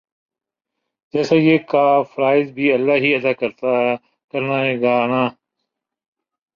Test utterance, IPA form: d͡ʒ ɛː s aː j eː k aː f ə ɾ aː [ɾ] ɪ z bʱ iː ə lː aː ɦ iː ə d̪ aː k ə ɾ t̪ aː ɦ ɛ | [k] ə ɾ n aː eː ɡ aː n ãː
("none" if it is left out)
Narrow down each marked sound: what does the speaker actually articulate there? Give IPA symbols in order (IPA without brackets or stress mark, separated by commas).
none, k